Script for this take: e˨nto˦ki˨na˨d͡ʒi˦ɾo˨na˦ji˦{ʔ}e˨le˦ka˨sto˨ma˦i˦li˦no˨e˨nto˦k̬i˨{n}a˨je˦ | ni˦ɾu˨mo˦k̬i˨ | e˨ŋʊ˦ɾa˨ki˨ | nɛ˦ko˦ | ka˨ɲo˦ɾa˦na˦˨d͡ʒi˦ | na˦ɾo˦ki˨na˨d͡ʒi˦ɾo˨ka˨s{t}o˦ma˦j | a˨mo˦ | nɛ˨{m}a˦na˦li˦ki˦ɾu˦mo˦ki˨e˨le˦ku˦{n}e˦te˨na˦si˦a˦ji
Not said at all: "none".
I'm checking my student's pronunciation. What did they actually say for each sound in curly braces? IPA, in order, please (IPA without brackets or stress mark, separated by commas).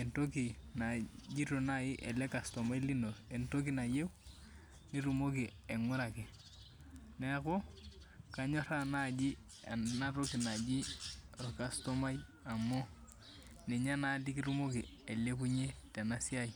ʔ, n, t, ɲ, ɲ